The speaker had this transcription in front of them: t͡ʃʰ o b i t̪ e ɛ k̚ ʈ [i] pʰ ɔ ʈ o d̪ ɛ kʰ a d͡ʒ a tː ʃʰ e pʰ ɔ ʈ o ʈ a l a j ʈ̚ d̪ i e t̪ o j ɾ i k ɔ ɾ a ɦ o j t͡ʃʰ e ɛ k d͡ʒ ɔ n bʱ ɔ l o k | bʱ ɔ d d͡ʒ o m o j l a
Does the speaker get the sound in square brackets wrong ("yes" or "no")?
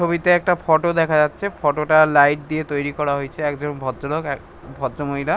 yes